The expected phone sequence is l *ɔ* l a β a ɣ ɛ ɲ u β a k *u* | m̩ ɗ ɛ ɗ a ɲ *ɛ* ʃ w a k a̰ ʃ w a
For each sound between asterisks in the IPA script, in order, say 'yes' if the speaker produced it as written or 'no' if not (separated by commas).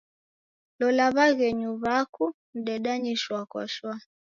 yes, yes, no